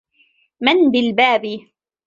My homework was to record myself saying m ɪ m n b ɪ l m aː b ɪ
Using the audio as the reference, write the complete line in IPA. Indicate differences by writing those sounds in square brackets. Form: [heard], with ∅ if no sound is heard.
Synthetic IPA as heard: m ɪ [∅] n b ɪ l [b] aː b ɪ